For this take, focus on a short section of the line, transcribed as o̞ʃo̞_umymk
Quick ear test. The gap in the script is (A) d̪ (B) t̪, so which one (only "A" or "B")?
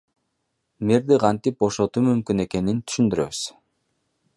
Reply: B